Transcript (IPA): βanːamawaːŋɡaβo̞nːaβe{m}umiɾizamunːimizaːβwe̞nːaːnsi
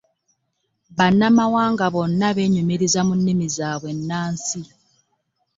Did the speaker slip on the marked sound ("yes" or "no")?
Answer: yes